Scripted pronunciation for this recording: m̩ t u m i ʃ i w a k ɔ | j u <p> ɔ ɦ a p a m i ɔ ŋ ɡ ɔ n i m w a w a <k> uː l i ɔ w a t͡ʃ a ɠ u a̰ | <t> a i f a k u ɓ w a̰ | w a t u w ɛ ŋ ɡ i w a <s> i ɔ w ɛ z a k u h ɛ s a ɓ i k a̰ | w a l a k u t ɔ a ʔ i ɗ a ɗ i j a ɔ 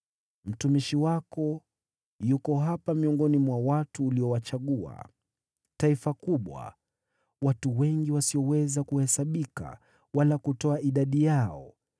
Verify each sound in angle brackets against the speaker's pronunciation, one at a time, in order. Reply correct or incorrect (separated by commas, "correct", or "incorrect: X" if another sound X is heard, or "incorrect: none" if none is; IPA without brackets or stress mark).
incorrect: k, incorrect: t, correct, correct